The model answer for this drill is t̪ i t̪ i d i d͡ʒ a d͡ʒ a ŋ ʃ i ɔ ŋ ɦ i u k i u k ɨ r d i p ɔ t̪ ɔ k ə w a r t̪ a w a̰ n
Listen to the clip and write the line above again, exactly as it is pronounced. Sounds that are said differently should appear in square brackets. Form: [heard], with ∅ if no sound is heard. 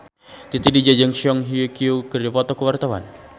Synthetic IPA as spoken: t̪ i t̪ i d i d͡ʒ a d͡ʒ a ŋ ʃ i ɔ ŋ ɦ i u k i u k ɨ r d i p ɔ t̪ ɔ k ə w a r t̪ a w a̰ n

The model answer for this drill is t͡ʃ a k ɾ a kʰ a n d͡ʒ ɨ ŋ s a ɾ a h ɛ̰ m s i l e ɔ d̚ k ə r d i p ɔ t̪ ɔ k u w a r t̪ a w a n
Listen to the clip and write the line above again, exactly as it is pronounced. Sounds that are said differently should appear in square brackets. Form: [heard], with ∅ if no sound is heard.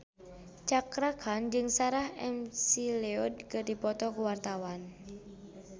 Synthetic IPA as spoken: t͡ʃ a k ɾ a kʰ a n d͡ʒ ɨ ŋ s a ɾ a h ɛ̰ m s i l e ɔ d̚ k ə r d i p ɔ t̪ ɔ k u w a r t̪ a w a n

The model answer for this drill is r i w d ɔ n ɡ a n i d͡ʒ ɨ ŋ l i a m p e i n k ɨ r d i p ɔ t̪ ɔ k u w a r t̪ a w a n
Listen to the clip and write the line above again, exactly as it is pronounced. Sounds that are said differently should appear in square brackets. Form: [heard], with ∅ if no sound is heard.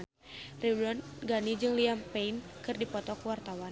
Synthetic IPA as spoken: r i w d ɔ n ɡ a n i d͡ʒ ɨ ŋ l i a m p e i n k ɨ r d i p ɔ t̪ ɔ k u w a r t̪ a w a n

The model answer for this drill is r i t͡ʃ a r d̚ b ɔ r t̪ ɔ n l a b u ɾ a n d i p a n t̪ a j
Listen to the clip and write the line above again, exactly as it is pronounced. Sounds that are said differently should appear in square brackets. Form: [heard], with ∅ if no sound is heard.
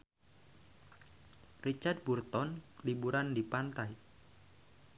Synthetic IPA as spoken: r i t͡ʃ a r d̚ b [u] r t̪ ɔ n l [i] b u ɾ a n d i p a n t̪ a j

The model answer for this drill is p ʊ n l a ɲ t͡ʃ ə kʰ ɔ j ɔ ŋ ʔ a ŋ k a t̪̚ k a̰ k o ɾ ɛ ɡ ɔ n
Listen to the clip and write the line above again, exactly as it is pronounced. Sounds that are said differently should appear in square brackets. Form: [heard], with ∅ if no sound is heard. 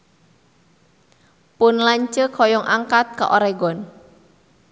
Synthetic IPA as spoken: p ʊ n l a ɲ t͡ʃ ə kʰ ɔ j ɔ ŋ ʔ a ŋ k a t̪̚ k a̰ [ʔ] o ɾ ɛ ɡ ɔ n

